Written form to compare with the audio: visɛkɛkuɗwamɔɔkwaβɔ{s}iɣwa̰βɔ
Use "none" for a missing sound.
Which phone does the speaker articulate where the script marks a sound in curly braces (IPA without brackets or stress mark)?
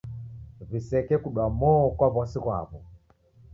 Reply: s